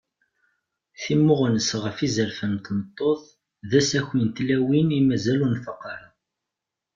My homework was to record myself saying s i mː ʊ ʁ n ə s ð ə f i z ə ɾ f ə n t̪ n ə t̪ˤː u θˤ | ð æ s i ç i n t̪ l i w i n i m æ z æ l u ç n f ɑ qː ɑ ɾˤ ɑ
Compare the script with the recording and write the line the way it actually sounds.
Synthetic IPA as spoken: θ i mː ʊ ʁ n ə s ʁ ə f i z ə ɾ f ə n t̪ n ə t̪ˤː o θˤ | ð æ s æ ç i n t̪ l æ w i n i m æ z æ l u n f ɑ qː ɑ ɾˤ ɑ